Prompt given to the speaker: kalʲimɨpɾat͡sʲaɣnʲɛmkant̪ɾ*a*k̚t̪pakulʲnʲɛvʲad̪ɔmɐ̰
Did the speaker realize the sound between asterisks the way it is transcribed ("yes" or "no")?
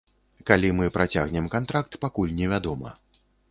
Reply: yes